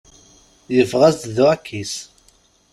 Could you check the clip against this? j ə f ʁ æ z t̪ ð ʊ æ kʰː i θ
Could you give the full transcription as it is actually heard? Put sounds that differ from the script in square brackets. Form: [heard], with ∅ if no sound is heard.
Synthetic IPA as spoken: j ə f ʁ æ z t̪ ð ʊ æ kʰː i [s]

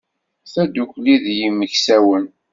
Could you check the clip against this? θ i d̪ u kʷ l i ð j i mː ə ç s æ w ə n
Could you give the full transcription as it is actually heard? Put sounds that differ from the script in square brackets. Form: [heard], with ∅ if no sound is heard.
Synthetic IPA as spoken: θ [æ] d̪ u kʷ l i ð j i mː ə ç s æ w ə n

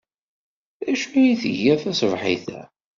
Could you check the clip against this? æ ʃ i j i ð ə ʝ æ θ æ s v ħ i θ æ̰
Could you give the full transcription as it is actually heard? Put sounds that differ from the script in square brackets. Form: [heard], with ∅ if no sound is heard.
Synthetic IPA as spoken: æ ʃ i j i [θ] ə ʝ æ θ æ s v ħ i θ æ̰

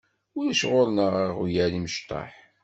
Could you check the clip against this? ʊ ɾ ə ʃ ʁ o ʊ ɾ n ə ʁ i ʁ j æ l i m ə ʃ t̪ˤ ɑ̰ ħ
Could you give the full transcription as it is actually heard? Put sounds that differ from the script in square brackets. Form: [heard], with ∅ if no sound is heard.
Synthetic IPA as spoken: ʊ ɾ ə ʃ ʁ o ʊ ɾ n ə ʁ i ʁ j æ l i m ə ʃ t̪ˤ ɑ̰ ħ

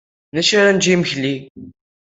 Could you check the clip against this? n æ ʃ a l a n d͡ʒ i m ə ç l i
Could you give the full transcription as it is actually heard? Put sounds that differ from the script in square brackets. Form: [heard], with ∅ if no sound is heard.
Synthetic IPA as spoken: n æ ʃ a [ɾ] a n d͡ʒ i m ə ç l i

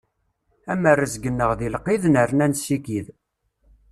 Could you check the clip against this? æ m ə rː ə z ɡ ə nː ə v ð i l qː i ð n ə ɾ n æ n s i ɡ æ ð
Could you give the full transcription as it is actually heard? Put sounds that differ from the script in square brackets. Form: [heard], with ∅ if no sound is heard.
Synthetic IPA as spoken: æ m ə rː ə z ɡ ə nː ə [ʁ] ð i l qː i ð n ə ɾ n æ n s i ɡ [i] ð

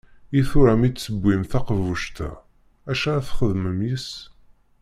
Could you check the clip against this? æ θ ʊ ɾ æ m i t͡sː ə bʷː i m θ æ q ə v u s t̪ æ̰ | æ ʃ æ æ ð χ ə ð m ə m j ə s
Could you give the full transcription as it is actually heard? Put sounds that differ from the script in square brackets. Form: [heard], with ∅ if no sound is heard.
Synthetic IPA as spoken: [i] θ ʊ ɾ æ m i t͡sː ə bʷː i m θ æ q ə v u [ʃ] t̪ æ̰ | æ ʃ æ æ [θ] χ ə ð m ə m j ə s

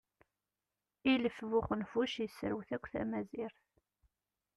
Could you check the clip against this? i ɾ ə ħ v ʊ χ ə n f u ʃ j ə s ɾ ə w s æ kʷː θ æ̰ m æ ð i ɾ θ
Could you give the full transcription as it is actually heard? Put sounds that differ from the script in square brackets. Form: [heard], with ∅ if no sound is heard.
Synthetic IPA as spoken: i [l] ə [f] v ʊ χ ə n f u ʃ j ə s ɾ ə w [θ] æ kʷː θ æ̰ m æ [z] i ɾ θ

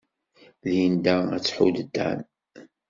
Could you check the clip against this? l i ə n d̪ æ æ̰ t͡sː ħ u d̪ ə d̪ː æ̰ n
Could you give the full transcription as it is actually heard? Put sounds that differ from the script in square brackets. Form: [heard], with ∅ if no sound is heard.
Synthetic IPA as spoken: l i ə n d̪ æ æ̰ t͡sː ħ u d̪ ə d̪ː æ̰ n

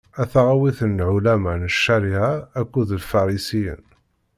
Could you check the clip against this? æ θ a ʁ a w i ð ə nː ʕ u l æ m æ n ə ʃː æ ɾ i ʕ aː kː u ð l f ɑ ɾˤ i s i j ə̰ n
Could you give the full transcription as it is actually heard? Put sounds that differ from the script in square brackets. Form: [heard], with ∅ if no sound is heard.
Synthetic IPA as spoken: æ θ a ʁ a w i [θ] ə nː ʕ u l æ m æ n ə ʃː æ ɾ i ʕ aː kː u ð l f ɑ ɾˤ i s i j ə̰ n

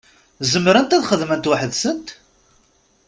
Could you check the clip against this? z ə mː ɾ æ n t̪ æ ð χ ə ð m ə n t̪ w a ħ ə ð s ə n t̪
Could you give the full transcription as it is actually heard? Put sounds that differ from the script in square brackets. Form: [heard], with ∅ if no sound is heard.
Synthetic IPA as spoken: z ə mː ɾ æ n t̪ æ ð χ ə ð m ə n t̪ w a ħ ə ð s ə n t̪

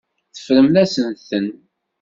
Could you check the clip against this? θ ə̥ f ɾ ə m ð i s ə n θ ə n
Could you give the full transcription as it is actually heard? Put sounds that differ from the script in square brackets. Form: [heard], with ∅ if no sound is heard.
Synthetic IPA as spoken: θ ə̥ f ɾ ə m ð [æ] s ə n θ ə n

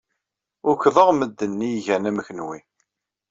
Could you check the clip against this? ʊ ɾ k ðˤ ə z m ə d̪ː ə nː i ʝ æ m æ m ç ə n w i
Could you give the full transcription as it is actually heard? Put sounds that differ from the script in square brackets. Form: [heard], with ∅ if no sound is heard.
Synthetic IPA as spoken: ʊ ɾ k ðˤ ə [ʁ] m ə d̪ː ə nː i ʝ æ [n] æ m ç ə n w i

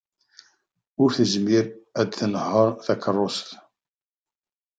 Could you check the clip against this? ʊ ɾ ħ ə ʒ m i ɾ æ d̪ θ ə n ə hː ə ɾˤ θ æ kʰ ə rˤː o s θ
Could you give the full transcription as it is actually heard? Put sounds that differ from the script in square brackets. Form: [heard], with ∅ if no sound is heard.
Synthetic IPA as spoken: ʊ ɾ [θ] ə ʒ m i ɾ æ d̪ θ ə n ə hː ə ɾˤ θ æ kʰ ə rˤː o s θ

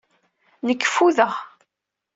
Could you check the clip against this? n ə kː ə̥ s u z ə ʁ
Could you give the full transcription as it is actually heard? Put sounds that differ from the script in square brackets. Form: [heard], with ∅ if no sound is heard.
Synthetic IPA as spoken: n ə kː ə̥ [f] u [ð] ə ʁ

